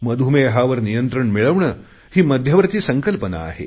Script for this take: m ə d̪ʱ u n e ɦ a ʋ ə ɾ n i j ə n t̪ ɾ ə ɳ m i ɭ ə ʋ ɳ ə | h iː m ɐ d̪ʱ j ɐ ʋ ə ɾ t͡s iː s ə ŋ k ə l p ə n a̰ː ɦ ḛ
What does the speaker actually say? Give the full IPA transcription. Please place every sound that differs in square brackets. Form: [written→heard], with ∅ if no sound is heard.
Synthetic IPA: m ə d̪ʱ u [n→m] e ɦ a ʋ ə ɾ n i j ə n t̪ ɾ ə ɳ m i ɭ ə ʋ ɳ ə | h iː m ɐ d̪ʱ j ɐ ʋ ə ɾ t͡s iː s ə ŋ k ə l p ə n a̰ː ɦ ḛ